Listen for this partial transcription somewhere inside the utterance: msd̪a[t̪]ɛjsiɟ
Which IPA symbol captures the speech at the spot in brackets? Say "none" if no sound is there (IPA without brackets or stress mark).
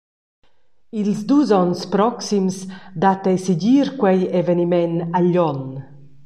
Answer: t̪